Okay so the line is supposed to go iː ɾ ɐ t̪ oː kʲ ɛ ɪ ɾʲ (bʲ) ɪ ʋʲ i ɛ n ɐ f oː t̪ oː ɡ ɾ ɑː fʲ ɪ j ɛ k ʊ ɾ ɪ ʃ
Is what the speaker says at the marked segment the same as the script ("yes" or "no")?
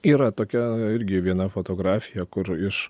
no